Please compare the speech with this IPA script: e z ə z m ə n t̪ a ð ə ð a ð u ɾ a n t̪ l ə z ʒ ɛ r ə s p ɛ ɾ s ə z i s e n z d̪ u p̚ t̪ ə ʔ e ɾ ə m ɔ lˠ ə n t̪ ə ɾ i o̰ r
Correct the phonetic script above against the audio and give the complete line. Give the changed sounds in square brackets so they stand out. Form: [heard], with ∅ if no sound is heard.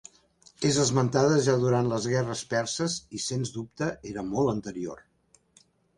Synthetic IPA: e z ə z m ə n t̪ a ð ə [ʒ] a ð u ɾ a n t̪ l ə z [ɣ] ɛ r ə s p ɛ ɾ s ə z i s e n z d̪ u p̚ t̪ ə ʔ e ɾ ə m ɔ lˠ ə n t̪ ə ɾ i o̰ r